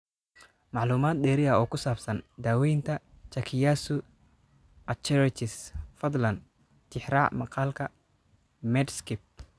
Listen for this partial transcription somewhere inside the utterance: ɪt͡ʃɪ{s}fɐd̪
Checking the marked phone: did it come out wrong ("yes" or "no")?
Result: no